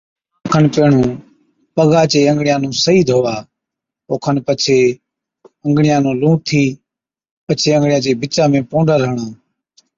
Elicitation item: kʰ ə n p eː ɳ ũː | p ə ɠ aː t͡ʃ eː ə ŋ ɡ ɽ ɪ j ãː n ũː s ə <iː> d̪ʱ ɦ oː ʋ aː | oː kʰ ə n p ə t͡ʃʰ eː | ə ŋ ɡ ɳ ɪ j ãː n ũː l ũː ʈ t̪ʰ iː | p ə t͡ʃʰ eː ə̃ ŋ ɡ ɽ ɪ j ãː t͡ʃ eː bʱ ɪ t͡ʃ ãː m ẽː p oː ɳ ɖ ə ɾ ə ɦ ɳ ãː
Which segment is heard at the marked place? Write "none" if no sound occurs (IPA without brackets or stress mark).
iː